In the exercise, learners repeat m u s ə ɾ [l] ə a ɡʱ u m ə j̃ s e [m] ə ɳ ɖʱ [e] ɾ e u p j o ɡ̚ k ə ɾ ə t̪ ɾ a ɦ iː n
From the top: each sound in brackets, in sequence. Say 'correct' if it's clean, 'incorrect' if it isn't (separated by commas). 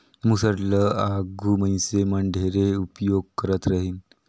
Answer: correct, correct, correct